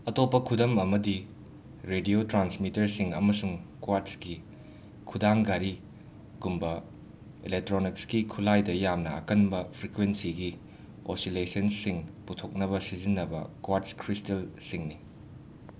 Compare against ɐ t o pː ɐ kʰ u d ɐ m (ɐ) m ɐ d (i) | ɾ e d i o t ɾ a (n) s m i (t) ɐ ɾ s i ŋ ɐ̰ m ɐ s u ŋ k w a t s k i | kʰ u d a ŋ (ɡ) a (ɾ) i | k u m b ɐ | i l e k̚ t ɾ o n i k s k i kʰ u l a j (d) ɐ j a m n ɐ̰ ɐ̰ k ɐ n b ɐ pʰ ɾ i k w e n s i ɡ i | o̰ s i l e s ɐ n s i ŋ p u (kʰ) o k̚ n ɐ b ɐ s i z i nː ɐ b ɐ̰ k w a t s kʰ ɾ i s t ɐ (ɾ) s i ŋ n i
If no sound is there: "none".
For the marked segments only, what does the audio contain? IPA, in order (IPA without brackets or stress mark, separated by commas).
ɐ, i, n, t, ɡ, ɾ, d, tʰ, l